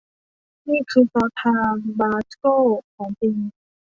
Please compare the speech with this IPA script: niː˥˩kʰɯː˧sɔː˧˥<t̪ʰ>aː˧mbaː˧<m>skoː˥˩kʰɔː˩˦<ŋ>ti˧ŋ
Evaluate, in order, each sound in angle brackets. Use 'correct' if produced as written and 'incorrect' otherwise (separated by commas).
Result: correct, incorrect, correct